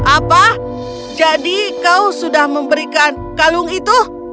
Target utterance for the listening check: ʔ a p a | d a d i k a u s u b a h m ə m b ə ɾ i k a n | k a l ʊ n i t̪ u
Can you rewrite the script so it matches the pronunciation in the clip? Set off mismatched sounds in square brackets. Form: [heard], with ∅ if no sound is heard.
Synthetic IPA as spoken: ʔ a p a | [d͡ʒ] a d i k a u s u [d] a h m ə m b ə ɾ i k a n | k a l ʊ [ŋ] i t̪ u